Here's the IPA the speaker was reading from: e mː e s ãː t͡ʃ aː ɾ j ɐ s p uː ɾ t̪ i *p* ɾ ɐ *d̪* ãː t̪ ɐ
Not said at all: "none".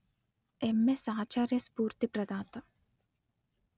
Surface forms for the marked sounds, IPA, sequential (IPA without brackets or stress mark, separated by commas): p, d̪